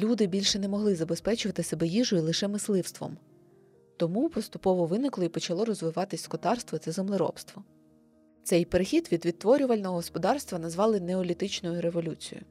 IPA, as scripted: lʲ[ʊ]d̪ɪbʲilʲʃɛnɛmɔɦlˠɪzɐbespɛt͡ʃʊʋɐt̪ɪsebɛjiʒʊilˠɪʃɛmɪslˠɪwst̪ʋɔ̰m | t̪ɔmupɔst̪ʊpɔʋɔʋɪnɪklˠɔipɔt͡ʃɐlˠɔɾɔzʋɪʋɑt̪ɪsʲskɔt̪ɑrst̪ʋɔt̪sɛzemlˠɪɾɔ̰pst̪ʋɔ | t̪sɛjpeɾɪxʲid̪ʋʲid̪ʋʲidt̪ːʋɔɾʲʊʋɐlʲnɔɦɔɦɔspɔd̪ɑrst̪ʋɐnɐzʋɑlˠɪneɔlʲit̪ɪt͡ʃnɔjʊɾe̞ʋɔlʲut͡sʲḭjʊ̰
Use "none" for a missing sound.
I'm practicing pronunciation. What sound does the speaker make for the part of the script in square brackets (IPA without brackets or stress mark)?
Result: u